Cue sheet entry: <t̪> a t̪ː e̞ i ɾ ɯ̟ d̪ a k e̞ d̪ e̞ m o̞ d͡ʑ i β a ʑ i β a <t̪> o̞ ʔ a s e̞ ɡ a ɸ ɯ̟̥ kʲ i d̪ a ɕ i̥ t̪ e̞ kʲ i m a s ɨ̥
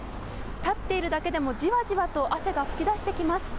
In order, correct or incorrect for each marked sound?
correct, correct

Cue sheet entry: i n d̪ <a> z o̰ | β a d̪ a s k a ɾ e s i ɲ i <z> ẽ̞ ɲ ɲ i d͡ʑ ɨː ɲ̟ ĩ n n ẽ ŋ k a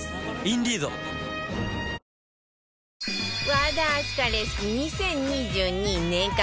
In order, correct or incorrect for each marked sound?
incorrect: i, incorrect: s

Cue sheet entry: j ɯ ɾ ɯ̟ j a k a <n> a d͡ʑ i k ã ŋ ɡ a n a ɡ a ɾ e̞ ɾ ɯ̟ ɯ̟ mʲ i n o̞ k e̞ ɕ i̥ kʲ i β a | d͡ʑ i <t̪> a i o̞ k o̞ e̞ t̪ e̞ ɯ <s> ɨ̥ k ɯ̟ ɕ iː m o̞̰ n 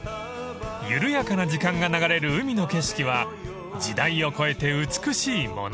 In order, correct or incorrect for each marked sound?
correct, incorrect: d̪, incorrect: t͡s

